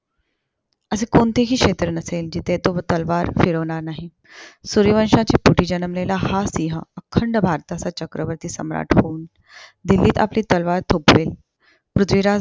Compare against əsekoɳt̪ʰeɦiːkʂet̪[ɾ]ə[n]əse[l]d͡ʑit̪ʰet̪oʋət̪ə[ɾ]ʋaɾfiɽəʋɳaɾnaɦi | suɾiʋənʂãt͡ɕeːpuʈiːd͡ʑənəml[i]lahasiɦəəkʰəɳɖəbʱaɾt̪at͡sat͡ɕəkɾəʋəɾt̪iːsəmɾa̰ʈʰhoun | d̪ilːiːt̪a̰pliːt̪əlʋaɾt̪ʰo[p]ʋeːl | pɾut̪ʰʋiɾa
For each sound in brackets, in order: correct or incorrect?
correct, correct, correct, incorrect, incorrect, correct

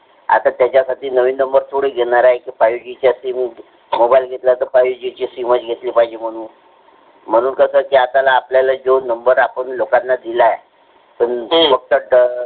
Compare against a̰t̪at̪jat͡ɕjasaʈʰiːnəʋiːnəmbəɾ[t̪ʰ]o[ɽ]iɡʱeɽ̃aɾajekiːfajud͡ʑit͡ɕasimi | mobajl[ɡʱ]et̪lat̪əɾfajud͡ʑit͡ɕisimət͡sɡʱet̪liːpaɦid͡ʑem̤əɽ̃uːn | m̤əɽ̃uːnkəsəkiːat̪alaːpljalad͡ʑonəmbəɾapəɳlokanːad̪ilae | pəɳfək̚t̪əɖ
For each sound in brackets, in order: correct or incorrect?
correct, correct, correct

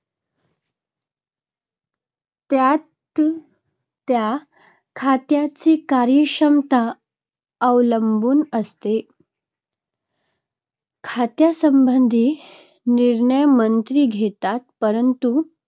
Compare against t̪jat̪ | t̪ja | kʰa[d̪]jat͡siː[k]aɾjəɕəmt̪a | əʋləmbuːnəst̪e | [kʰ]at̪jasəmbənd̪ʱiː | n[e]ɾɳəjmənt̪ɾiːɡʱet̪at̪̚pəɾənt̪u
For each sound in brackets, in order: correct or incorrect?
incorrect, correct, correct, incorrect

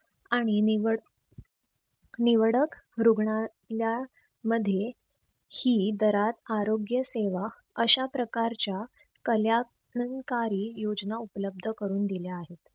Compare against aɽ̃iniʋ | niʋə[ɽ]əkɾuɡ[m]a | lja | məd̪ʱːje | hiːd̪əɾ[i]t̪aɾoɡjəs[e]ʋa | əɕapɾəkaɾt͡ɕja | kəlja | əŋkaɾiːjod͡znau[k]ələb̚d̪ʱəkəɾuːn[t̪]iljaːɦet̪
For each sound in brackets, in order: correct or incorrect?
correct, incorrect, incorrect, correct, incorrect, incorrect

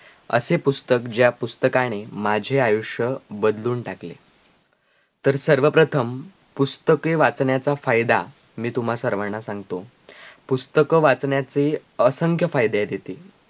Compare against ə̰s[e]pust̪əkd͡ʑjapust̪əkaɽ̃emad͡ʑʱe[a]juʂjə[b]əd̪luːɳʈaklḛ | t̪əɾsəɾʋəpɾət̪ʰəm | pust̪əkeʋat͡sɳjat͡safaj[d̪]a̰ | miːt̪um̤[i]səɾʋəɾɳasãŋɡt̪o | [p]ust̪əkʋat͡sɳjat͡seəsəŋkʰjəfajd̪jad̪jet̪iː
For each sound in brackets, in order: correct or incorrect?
correct, correct, correct, correct, incorrect, correct

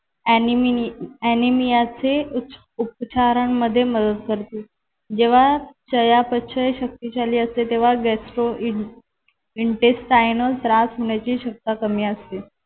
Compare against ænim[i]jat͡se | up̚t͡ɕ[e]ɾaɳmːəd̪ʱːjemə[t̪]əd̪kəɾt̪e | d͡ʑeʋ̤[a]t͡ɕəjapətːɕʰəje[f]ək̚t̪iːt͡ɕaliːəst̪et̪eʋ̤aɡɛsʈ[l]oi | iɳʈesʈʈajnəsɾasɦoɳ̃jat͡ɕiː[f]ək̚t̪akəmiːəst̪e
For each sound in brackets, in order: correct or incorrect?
correct, incorrect, incorrect, correct, incorrect, incorrect, incorrect

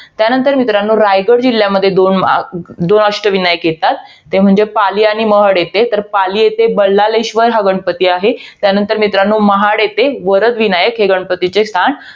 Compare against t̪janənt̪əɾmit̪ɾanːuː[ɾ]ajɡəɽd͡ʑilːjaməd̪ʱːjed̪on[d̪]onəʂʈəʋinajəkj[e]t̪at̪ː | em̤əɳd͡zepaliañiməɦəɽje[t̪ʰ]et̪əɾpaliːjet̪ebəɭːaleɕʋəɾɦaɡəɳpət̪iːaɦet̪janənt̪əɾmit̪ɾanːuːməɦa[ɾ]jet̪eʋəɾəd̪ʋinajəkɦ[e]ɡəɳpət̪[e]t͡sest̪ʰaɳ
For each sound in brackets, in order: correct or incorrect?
correct, correct, correct, incorrect, incorrect, correct, incorrect

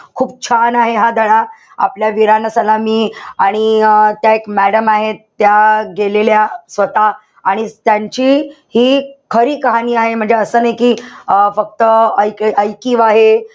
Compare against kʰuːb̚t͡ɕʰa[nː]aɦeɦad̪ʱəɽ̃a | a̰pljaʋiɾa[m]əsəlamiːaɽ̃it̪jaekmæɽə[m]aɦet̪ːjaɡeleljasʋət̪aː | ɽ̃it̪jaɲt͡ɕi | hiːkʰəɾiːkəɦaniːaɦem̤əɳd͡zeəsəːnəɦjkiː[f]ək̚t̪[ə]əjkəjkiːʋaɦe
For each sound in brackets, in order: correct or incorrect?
incorrect, incorrect, correct, correct, correct

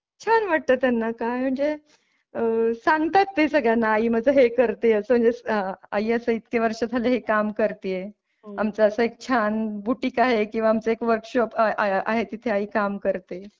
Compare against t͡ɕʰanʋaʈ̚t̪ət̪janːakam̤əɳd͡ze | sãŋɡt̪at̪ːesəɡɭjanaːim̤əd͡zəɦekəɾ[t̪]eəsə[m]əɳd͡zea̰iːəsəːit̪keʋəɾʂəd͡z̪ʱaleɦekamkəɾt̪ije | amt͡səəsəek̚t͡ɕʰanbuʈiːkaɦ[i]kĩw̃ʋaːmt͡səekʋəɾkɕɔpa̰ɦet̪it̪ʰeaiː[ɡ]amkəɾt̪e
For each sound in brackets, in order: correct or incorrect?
correct, correct, incorrect, incorrect

